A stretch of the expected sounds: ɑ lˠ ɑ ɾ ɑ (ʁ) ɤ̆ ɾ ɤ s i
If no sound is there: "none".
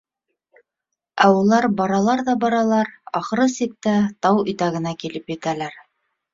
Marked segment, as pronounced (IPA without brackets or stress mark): χ